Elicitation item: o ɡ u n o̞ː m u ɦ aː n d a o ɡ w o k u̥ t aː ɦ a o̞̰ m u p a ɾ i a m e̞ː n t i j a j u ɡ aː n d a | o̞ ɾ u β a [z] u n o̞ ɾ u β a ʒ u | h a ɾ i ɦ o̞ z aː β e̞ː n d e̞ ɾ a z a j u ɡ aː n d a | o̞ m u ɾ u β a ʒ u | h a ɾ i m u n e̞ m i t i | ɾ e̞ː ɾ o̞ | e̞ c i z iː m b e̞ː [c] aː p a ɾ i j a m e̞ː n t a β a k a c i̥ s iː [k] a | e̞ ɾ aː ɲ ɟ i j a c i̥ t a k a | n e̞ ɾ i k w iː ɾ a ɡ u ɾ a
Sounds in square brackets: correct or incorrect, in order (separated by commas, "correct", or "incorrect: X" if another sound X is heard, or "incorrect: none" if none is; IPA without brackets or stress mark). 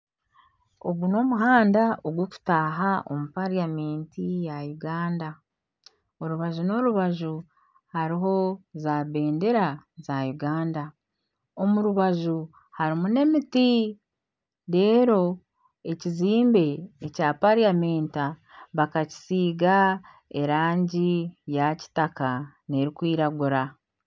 incorrect: ʒ, correct, incorrect: ɡ